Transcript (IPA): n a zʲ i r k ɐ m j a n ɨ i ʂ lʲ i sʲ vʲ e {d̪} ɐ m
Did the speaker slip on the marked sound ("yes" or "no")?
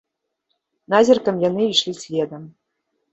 no